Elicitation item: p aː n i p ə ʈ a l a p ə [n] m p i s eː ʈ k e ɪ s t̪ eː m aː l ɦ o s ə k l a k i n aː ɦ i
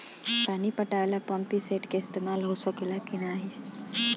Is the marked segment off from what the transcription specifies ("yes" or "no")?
yes